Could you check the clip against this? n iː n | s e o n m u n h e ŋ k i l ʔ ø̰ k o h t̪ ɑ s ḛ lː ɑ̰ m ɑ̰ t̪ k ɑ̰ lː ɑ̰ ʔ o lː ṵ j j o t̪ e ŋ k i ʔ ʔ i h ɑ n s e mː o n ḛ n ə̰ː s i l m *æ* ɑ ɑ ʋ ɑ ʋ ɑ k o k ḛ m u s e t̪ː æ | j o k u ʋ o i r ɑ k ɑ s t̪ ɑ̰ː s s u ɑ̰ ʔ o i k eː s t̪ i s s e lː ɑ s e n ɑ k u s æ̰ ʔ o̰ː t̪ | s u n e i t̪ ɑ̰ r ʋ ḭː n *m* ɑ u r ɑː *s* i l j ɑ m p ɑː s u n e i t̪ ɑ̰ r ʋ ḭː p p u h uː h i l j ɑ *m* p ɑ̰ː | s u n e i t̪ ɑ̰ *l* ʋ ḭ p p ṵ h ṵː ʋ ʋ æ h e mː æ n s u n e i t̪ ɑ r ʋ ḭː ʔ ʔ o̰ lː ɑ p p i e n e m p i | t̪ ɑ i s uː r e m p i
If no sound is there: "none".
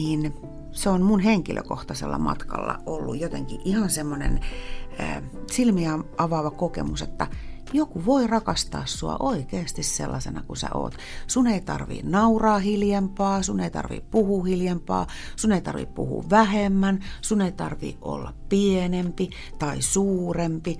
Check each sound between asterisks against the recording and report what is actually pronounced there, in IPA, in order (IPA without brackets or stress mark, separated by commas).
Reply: i, n, h, m, r